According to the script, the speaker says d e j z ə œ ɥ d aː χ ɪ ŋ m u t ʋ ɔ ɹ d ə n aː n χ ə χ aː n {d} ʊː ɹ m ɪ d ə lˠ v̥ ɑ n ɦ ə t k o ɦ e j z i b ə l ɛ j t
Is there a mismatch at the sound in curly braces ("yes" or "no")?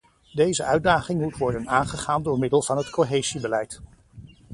no